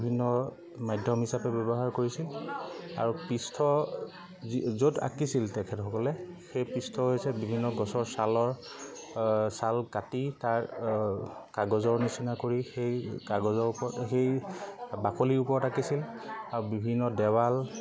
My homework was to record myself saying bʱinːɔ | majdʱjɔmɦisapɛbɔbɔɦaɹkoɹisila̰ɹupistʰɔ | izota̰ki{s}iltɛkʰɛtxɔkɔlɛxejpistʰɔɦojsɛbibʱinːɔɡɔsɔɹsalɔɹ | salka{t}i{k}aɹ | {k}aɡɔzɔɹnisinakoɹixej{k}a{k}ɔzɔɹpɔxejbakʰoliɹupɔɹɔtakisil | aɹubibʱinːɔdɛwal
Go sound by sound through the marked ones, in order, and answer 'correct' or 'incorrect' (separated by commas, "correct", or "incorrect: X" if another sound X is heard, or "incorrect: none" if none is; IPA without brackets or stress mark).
correct, correct, incorrect: t, correct, correct, incorrect: ɡ